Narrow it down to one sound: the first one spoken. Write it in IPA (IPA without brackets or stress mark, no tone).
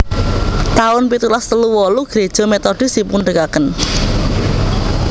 t̪